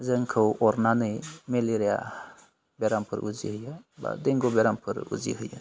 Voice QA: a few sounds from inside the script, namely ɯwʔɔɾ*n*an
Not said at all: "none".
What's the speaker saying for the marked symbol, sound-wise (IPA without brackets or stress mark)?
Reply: n